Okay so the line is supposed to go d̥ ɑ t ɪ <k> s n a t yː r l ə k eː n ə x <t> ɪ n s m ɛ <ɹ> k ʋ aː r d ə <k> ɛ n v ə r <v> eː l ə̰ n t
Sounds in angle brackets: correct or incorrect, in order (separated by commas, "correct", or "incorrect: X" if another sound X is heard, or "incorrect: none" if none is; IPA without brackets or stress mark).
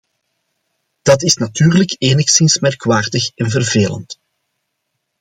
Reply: incorrect: none, incorrect: s, incorrect: r, incorrect: x, correct